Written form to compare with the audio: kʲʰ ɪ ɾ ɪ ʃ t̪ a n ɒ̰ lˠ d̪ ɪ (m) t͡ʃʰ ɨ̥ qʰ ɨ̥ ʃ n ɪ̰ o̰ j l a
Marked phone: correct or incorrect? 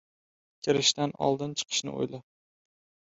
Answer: incorrect